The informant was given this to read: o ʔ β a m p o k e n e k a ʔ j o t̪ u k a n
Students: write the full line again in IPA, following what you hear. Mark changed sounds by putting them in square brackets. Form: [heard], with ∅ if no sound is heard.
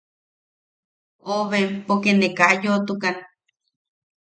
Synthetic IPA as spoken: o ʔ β [e] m p o k e n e k a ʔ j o t̪ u k a n